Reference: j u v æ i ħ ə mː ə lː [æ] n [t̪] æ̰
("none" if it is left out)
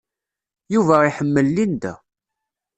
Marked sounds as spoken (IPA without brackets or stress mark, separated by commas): i, d̪